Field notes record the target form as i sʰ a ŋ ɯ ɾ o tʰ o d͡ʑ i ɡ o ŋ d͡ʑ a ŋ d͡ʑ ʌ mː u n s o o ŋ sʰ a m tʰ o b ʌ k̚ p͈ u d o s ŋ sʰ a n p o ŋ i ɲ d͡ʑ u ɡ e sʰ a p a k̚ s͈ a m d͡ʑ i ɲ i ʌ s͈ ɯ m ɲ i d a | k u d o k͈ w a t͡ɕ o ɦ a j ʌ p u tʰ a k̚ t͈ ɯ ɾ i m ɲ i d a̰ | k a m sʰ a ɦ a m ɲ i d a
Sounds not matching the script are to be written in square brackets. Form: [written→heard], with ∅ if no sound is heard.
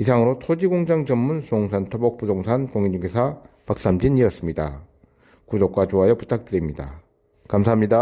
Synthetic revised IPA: i sʰ a ŋ ɯ ɾ o tʰ o d͡ʑ i ɡ o ŋ d͡ʑ a ŋ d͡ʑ ʌ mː u n s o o ŋ sʰ a [m→n] tʰ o b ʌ k̚ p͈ u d o [s→∅] ŋ sʰ a n [p→k] o ŋ i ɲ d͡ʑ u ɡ e sʰ a p a k̚ s͈ a m d͡ʑ i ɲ i ʌ s͈ ɯ m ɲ i d a | k u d o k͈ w a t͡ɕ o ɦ a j ʌ p u tʰ a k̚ t͈ ɯ ɾ i m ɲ i d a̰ | k a m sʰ a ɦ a m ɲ i d a